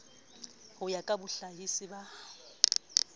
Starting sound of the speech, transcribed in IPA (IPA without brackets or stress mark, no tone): h